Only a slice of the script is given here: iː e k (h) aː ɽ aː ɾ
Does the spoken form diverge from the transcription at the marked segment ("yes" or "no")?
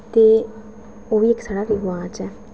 yes